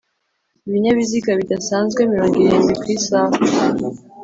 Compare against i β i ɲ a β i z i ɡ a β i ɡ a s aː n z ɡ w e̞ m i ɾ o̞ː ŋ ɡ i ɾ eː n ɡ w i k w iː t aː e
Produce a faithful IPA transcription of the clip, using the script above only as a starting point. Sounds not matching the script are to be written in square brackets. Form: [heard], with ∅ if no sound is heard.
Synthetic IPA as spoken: i β i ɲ a β i z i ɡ a β i [d] a s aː n z ɡ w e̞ m i ɾ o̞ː ŋ ɡ i ɾ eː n ɡ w i k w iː [s] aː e